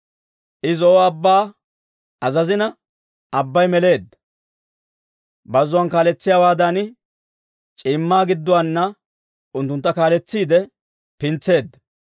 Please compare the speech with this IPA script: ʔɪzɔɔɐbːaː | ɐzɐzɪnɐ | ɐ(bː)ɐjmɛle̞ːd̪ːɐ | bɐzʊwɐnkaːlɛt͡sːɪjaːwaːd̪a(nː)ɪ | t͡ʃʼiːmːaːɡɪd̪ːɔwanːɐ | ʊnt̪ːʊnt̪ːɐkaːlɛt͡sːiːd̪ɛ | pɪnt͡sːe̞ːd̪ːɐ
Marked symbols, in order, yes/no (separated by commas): yes, no